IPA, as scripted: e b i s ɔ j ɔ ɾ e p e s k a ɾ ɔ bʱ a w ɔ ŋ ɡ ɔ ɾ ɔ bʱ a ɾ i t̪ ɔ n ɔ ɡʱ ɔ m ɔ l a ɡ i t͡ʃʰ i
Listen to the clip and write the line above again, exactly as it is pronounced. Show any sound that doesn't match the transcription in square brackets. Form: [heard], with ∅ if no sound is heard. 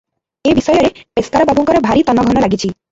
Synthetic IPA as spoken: e b i s ɔ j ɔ ɾ e p e s k a ɾ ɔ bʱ a [b] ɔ ŋ [k] ɔ ɾ ɔ bʱ a ɾ i t̪ ɔ n ɔ ɡʱ ɔ [n] ɔ l a ɡ i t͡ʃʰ i